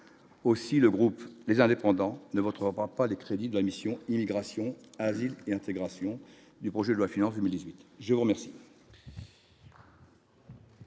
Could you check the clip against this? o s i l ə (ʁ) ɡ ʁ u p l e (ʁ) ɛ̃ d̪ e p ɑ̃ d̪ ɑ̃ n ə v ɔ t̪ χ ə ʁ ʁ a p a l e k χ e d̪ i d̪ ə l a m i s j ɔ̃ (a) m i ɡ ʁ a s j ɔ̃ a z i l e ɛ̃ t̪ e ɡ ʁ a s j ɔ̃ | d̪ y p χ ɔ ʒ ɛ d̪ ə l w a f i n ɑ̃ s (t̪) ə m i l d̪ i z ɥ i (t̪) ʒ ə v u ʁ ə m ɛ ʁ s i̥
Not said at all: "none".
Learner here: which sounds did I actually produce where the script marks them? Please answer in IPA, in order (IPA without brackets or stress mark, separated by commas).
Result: none, z, i, d̪, t̪